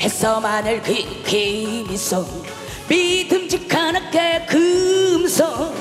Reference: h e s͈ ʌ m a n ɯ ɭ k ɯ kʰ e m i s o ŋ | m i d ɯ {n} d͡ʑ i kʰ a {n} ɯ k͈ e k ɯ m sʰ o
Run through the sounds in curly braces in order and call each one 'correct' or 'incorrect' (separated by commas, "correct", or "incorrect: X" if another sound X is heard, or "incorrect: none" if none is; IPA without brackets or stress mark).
incorrect: m, correct